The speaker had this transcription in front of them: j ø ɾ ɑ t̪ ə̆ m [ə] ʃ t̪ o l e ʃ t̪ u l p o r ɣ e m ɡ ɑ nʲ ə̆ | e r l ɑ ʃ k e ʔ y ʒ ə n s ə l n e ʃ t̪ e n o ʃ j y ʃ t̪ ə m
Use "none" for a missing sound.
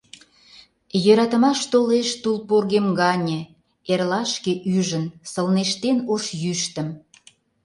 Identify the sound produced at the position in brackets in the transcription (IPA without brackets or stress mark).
ɑ